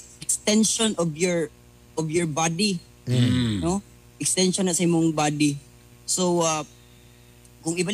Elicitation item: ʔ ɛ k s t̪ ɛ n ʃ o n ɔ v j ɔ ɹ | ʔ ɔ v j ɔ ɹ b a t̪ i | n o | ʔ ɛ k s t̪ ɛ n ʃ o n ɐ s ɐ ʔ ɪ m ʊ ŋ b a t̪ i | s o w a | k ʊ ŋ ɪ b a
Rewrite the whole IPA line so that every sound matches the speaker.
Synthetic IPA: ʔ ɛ k s t̪ ɛ n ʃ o n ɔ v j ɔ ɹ | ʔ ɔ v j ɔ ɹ b a d̪ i | n o | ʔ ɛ k s t̪ ɛ n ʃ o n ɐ s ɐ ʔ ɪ m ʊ ŋ b a d̪ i | s o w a | k ʊ ŋ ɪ b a